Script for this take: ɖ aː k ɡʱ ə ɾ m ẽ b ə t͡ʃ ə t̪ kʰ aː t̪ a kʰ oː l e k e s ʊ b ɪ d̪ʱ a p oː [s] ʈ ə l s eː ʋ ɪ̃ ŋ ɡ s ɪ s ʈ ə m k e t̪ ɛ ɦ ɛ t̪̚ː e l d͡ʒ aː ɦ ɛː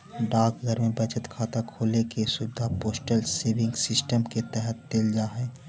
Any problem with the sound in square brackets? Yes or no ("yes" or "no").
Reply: no